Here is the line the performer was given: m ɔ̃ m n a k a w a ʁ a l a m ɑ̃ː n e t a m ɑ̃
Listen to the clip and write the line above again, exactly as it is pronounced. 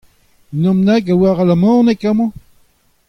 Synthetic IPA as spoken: n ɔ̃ m n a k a w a ʁ a l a m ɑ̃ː n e k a m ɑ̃

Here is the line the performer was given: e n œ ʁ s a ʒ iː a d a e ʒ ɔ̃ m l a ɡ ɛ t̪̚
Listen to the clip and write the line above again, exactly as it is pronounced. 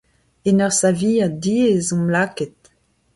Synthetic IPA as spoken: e n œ ʁ s a v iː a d i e z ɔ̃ m l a k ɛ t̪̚

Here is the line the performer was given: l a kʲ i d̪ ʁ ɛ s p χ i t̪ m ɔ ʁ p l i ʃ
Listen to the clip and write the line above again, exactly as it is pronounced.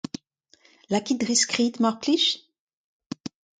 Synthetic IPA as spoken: l a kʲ i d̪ ʁ i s k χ i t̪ m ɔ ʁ k l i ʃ

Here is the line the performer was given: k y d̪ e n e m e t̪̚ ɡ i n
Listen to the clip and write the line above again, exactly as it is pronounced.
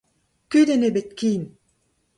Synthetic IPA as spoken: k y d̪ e n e b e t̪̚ k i n

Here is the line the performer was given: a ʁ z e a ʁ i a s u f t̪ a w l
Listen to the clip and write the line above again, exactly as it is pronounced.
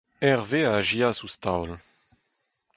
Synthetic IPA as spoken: ɛ ʁ v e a ʒ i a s u s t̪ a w l

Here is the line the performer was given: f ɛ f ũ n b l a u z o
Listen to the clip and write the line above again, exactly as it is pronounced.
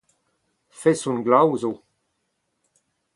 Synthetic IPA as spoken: f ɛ s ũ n ɡ l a w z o

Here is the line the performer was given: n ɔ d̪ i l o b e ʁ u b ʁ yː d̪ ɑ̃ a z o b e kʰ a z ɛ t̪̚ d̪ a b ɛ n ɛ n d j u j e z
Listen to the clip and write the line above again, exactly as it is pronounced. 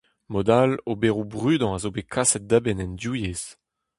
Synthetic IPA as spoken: m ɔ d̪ a l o b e ʁ u b ʁ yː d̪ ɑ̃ a z o b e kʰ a s ɛ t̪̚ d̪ a b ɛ n ɛ n d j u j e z

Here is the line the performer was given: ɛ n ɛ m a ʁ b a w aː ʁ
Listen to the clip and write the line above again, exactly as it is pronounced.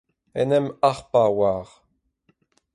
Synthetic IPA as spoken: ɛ n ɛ m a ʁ p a w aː ʁ

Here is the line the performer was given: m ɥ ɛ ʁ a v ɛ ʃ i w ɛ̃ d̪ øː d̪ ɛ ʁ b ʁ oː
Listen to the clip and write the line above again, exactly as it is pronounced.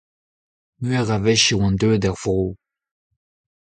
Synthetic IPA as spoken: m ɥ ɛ ʁ a v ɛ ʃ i w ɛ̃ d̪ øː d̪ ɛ ʁ v ʁ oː

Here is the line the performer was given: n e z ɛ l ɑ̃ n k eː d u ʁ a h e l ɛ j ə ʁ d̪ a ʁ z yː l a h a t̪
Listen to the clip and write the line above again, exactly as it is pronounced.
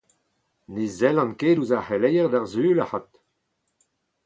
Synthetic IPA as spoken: n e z ɛ l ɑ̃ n k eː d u z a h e l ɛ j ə ʁ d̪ a ʁ z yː l a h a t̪

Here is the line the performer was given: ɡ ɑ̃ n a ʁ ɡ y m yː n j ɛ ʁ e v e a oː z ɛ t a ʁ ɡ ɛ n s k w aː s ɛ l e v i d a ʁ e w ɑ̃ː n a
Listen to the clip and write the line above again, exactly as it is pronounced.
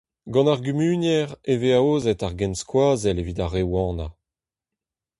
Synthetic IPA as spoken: ɡ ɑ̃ n a ʁ ɡ y m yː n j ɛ ʁ e v e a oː z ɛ t a ʁ ɡ ɛ n s k w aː z ɛ l e v i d a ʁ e w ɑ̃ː n a

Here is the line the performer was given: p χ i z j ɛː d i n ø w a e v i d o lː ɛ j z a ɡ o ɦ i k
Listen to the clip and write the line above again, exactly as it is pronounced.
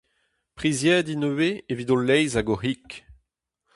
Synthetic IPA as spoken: p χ i z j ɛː d i n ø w e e v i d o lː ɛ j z a ɡ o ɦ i k

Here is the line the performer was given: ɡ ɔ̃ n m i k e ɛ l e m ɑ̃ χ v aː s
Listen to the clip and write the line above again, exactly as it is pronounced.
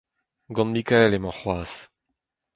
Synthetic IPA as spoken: ɡ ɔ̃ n m i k a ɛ l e m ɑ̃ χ w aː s

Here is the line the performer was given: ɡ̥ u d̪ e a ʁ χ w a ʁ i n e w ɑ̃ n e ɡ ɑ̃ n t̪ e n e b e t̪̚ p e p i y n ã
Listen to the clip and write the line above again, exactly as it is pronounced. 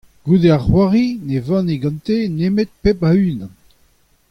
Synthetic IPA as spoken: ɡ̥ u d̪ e a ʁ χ w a ʁ i n e v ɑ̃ n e ɡ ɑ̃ n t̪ e n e m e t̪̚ p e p a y n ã

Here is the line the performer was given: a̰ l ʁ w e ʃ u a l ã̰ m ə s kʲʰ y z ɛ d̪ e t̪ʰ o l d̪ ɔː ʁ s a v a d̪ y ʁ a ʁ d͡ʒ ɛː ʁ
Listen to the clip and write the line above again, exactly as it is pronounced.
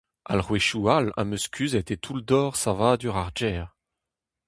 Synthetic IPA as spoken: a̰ l ʁ w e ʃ u a l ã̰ m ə s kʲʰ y z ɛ t̪ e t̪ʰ u l d̪ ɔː ʁ s a v a d̪ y ʁ a ʁ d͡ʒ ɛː ʁ

